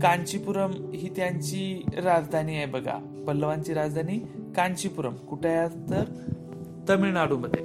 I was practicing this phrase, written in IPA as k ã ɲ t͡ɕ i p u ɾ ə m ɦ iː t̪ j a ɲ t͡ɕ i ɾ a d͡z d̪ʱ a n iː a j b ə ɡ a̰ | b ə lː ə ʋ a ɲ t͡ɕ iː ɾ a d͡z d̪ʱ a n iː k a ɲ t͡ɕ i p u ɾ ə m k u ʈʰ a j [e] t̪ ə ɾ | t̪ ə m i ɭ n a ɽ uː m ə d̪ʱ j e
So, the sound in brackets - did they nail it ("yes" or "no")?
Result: no